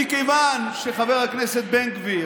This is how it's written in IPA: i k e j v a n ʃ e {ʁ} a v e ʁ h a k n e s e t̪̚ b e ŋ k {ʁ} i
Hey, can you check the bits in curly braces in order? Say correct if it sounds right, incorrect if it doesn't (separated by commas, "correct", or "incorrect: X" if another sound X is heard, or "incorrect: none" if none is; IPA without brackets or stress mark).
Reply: incorrect: χ, incorrect: v